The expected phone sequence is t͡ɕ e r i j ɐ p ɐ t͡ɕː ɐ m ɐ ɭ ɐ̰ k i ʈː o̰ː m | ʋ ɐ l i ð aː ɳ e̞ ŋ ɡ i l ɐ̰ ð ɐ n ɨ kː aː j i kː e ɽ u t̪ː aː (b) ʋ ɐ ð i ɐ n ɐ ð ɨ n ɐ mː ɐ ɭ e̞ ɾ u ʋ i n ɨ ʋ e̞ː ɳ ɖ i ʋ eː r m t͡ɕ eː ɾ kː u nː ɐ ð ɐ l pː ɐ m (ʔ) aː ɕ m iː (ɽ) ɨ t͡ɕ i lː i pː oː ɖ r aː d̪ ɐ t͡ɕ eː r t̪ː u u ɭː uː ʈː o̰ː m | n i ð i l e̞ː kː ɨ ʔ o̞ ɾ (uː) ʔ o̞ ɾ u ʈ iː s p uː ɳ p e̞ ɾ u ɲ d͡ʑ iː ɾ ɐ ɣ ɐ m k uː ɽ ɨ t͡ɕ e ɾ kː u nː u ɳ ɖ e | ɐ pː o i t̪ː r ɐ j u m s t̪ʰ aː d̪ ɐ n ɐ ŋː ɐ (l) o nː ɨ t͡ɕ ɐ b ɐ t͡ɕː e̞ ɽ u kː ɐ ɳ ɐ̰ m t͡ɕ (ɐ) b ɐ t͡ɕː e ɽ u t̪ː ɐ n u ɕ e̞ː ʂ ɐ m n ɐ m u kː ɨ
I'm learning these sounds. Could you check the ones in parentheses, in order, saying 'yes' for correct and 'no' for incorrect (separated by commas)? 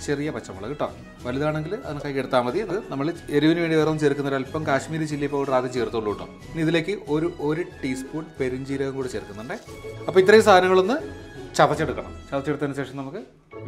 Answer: no, no, no, no, no, yes